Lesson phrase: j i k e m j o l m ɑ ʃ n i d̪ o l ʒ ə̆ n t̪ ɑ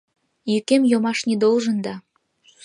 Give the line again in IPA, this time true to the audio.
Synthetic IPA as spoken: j y k e m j o m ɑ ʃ n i d̪ o l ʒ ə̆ n d̪ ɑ